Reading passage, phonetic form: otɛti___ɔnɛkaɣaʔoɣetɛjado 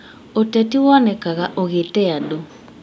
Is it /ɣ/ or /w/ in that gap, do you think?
w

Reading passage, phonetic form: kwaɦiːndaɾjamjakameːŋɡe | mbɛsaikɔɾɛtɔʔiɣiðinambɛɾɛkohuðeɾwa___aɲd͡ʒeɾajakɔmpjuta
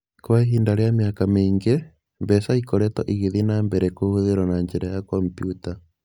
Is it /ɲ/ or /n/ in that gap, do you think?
n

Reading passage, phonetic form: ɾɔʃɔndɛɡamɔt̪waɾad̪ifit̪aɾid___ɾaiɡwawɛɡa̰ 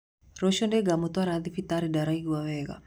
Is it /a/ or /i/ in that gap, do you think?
a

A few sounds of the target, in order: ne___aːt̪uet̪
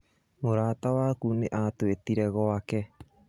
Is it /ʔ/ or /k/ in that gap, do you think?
ʔ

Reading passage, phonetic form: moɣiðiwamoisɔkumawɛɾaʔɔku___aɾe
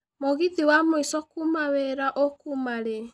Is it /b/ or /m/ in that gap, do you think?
m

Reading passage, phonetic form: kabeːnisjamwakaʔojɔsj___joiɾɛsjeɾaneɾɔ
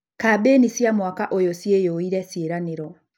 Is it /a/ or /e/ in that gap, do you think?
e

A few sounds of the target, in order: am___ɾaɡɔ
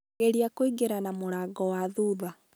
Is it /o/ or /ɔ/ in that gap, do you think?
o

